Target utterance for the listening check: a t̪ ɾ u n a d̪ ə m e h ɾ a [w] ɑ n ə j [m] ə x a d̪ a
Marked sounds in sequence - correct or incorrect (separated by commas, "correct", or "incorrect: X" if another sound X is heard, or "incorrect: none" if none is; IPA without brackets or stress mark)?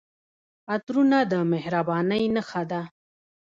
incorrect: b, incorrect: n